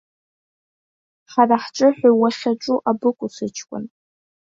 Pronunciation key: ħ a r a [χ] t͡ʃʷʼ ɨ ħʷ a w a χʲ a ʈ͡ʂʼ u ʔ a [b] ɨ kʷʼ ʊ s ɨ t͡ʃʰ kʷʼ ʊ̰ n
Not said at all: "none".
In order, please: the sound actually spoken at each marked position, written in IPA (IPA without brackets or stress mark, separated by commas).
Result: ħ, b